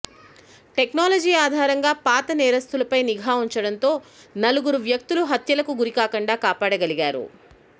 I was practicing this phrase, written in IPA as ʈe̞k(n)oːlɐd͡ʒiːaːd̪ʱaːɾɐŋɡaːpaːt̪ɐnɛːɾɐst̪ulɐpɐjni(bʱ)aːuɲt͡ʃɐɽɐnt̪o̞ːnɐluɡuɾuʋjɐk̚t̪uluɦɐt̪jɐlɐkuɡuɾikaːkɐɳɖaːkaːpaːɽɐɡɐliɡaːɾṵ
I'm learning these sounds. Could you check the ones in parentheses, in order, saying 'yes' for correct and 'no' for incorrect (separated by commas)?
yes, no